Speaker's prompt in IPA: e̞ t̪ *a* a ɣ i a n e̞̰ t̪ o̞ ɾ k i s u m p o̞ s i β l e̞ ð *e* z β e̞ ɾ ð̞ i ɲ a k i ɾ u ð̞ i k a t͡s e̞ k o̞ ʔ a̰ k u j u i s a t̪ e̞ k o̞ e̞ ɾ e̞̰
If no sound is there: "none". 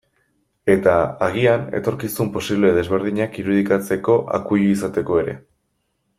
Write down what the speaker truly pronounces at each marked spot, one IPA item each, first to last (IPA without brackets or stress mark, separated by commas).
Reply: a, e